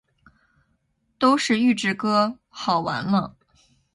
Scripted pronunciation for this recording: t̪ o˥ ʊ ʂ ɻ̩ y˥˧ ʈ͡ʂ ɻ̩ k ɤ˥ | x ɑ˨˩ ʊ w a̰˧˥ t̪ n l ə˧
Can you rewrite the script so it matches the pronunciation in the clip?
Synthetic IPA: t̪ o˥ ʊ ʂ ɻ̩ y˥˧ ʈ͡ʂ ɻ̩ k ɤ˥ | x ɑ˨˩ ʊ w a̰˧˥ n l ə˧